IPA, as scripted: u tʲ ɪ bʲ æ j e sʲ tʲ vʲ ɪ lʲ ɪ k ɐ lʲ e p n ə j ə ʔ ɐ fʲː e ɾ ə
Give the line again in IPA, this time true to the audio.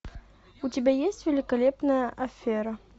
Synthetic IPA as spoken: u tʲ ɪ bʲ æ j e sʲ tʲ vʲ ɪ lʲ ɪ k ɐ lʲ e p n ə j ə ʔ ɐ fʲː e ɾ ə